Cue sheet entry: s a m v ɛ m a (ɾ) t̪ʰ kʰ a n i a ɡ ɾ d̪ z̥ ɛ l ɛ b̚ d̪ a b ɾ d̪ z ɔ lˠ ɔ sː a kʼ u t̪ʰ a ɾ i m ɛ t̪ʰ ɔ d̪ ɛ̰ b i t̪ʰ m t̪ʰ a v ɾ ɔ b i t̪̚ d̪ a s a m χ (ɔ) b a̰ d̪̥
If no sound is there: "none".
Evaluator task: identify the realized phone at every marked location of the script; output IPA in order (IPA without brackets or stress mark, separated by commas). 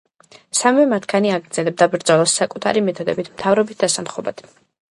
none, ɔ